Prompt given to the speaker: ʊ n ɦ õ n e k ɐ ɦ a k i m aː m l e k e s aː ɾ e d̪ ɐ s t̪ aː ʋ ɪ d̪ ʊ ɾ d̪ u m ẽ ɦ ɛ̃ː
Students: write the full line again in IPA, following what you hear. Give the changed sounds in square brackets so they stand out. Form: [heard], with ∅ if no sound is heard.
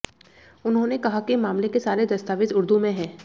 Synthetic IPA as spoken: ʊ n ɦ õ n e k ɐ ɦ a k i m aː m l e k e s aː ɾ e d̪ ɐ s t̪ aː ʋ ɪ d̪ ʊ ɾ d̪ u m ẽ ɦ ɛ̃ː